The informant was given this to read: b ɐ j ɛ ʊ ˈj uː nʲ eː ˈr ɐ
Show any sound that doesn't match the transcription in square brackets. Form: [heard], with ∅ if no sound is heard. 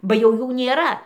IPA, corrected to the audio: b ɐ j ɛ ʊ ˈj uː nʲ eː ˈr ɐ

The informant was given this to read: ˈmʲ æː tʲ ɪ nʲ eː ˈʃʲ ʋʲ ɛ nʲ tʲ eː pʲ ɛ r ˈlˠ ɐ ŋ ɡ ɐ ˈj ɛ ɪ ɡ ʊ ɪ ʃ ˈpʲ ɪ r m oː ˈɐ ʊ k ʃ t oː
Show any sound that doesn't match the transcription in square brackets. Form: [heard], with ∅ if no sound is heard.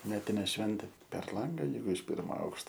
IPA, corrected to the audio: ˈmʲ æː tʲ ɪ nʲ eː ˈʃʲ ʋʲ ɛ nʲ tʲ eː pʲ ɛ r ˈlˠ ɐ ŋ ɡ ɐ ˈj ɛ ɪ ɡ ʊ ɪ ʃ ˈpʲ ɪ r m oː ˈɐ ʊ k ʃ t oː

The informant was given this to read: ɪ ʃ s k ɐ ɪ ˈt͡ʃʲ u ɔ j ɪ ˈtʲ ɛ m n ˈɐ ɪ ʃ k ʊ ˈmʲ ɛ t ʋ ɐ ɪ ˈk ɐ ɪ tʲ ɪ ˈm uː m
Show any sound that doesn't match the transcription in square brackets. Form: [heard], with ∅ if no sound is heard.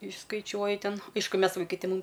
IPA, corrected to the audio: ɪ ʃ s k ɐ ɪ ˈt͡ʃʲ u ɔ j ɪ ˈtʲ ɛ [∅] n ˈɐ ɪ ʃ k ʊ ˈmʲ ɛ [s] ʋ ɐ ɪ ˈk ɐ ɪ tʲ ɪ ˈm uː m

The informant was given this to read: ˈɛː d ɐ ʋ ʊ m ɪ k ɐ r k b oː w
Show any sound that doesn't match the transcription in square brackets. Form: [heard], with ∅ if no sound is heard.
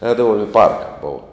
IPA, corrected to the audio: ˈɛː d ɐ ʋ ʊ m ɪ [p] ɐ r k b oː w

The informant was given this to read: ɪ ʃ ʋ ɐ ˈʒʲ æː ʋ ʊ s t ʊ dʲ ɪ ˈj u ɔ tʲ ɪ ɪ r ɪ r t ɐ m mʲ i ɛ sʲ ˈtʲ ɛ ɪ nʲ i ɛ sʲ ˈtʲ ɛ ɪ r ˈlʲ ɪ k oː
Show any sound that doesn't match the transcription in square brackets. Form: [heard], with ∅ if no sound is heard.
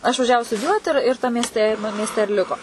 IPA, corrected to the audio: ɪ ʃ ʋ ɐ ˈʒʲ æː ʋ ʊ s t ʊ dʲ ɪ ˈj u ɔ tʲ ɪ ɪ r ɪ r t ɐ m mʲ i ɛ sʲ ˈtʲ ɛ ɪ [mʲ] i ɛ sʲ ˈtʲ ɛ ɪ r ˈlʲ ɪ k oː

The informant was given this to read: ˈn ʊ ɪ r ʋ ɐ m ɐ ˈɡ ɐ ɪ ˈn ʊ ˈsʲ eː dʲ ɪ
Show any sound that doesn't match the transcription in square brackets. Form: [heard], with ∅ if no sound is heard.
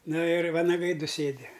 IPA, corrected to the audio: ˈn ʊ ɪ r ʋ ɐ [n] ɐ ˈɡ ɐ ɪ [ˈd] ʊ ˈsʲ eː dʲ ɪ

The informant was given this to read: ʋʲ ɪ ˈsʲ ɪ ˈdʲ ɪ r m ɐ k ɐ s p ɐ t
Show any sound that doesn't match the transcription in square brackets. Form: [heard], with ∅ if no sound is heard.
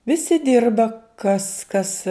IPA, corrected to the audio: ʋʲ ɪ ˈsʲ ɪ ˈdʲ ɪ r [b] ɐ k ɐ s [k] ɐ [s]

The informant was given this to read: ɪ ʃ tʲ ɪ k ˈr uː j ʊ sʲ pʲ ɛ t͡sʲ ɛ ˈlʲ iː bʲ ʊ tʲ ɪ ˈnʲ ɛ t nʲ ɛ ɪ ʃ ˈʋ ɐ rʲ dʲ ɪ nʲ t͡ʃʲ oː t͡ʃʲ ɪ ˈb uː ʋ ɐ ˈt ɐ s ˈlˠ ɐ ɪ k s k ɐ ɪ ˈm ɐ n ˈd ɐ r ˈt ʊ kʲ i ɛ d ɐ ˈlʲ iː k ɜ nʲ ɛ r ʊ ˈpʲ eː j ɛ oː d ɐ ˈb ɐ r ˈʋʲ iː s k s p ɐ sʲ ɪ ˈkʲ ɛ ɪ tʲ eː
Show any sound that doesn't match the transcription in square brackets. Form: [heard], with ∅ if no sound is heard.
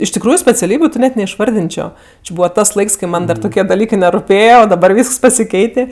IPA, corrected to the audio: ɪ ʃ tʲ ɪ k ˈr uː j ʊ sʲ pʲ ɛ t͡sʲ ɛ ˈlʲ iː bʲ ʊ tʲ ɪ ˈnʲ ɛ t nʲ ɛ ɪ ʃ ˈʋ ɐ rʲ dʲ ɪ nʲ t͡ʃʲ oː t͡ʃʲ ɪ ˈb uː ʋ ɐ ˈt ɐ s ˈlˠ ɐ ɪ k s k ɐ ɪ ˈm ɐ n ˈd ɐ r ˈt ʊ kʲ i ɛ d ɐ ˈlʲ iː k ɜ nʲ ɛ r ʊ ˈpʲ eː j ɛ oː d ɐ ˈb ɐ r ˈʋʲ iː s k s p ɐ sʲ ɪ ˈkʲ ɛ ɪ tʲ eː

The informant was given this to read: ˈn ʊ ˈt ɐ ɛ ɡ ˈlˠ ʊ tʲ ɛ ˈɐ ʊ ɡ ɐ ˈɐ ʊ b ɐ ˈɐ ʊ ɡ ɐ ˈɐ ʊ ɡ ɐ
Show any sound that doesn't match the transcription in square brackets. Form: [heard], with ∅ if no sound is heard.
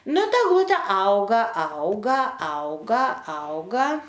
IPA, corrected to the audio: ˈn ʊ ˈt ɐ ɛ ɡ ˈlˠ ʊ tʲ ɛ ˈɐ ʊ ɡ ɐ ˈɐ ʊ [ɡ] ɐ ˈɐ ʊ ɡ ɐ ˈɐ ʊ ɡ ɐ

